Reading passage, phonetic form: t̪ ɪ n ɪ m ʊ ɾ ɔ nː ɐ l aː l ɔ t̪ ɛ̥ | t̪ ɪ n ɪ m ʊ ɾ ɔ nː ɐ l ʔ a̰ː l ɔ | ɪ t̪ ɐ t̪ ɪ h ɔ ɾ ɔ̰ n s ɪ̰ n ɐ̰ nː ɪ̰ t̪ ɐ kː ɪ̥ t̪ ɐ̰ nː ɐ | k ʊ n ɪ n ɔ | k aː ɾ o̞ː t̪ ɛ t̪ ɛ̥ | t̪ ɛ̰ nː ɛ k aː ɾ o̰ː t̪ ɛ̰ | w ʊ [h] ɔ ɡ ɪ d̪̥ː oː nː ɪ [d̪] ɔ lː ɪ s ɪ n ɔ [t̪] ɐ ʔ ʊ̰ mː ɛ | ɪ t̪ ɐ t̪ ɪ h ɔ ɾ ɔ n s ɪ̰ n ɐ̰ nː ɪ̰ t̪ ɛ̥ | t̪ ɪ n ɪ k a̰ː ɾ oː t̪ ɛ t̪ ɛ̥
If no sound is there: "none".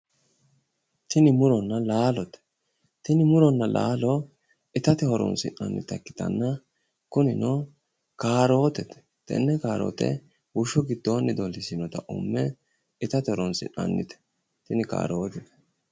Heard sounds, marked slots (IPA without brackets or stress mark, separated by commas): ʃ, d̪, t̪